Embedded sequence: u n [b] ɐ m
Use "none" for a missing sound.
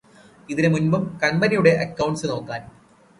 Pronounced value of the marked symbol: b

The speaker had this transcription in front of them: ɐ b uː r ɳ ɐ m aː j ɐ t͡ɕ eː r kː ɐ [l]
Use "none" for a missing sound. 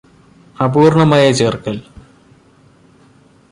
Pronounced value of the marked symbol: l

